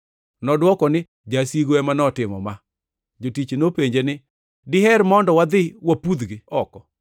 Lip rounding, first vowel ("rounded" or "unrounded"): rounded